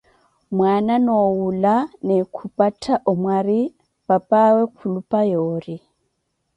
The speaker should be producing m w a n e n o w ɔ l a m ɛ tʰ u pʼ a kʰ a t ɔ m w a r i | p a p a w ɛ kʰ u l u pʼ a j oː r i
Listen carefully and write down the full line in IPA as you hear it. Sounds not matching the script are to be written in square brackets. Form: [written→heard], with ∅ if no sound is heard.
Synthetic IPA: m w a n [e→a] n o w [ɔ→u] l a [m→n] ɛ [tʰ→kʰ] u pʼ a [kʰ→tʰ] a [t→ʔ] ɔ m w a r i | p a p a w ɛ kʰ u l u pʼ a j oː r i